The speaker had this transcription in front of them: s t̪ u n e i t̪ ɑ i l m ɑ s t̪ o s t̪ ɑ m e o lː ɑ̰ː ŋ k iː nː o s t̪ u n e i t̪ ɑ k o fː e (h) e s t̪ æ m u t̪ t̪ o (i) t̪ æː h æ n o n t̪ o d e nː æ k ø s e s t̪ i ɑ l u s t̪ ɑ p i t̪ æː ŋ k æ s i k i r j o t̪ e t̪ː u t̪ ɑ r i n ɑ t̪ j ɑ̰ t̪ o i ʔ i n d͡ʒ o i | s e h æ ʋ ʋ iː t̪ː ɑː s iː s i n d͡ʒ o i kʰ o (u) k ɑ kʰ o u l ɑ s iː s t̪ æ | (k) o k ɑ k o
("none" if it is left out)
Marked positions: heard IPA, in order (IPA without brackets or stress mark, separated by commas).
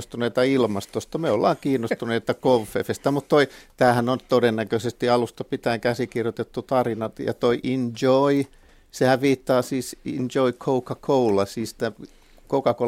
f, i, u, k